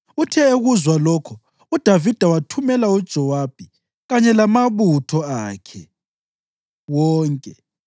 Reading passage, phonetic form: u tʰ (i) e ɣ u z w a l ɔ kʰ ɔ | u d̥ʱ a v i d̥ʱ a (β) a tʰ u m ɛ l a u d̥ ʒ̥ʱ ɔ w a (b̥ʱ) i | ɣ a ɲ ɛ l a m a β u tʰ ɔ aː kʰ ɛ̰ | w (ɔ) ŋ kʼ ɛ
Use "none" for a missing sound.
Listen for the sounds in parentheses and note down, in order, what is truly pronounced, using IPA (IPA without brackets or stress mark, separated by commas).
ɛ, w, b̥ʱ, ɔː